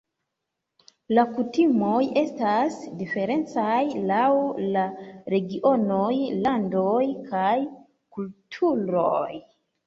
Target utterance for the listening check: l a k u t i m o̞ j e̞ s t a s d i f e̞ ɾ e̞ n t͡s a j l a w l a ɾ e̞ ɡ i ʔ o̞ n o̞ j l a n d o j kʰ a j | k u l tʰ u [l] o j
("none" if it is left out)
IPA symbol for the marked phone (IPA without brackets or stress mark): ɾ